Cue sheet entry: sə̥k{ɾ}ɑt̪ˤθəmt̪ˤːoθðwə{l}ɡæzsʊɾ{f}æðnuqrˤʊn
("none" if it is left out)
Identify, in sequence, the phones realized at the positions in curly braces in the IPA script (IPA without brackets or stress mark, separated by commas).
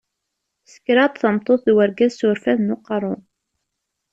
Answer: ɾ, ɾ, f